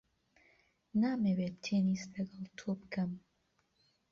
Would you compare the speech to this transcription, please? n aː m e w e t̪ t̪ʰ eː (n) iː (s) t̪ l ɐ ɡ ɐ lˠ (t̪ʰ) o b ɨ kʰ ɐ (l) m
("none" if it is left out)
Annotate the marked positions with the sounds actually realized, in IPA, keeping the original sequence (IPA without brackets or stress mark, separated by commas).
n, s, t̪ʰ, none